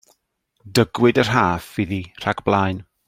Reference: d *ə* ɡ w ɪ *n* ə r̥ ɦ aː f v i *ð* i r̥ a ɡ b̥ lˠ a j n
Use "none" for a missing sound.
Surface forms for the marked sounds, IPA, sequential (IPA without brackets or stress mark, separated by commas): ə, d, ð